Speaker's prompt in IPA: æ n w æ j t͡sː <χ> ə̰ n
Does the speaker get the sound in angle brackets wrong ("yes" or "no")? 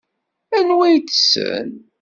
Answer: yes